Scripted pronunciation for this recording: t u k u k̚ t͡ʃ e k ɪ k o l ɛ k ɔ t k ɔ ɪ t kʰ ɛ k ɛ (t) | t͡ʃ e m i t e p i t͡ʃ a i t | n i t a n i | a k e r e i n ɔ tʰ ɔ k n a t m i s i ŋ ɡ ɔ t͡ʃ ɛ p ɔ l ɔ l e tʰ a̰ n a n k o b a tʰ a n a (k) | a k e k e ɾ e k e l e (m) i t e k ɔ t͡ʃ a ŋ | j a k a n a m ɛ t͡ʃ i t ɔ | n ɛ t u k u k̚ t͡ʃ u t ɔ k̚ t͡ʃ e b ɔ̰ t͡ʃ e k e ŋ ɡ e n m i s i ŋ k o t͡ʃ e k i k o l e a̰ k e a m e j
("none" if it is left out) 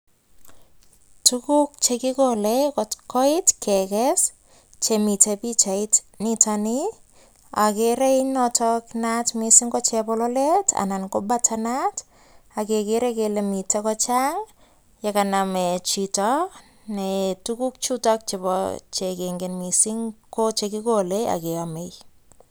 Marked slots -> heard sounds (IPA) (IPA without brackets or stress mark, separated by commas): s, t, m